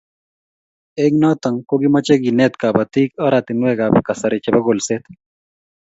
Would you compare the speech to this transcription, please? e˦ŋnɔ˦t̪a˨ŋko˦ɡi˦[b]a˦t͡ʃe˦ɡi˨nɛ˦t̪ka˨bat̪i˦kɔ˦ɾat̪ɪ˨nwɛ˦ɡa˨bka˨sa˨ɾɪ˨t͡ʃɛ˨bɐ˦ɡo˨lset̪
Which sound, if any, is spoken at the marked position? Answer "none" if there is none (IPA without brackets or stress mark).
m